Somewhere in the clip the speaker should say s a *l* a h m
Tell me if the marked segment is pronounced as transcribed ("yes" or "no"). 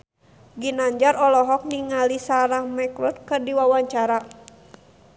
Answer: no